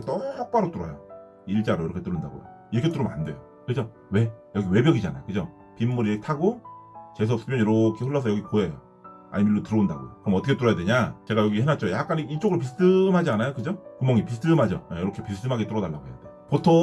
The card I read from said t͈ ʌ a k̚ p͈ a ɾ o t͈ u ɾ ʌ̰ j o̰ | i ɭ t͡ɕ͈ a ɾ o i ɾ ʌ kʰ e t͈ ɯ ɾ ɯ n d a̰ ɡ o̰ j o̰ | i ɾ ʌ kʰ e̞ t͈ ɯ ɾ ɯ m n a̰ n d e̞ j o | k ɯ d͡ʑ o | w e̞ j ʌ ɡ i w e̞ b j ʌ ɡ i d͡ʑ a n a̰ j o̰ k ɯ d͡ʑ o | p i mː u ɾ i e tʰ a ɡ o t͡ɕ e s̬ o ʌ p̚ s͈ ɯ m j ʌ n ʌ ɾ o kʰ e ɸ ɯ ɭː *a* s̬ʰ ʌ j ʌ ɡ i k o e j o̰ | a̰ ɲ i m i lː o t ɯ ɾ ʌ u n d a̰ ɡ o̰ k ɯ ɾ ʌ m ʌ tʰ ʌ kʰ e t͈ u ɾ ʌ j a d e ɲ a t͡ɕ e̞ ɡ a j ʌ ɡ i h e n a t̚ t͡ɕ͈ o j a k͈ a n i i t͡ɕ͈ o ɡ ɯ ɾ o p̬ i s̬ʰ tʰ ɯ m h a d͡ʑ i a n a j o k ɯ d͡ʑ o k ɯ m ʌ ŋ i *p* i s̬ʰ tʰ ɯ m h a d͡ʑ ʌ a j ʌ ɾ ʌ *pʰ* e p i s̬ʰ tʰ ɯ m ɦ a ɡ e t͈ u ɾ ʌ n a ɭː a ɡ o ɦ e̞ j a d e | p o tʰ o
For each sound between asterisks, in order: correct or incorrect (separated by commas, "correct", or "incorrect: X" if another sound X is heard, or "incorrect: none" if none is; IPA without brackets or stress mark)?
incorrect: ʌ, correct, incorrect: kʰ